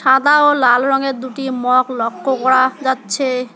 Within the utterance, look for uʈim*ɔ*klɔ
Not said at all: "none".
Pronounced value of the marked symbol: ɔ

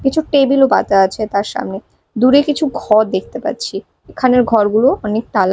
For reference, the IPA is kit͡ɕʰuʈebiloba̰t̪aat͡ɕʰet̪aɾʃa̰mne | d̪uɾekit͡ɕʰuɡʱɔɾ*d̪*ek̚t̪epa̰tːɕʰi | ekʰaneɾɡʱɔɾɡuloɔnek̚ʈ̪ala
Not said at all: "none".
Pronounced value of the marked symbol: d̪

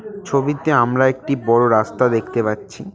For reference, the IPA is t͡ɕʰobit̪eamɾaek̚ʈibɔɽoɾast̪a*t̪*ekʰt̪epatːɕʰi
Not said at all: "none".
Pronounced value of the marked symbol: d̪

